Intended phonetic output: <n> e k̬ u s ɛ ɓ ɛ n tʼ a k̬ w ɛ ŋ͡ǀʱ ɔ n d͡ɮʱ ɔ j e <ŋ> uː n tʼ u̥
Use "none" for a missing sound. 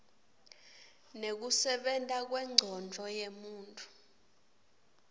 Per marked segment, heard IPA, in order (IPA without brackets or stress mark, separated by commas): n, m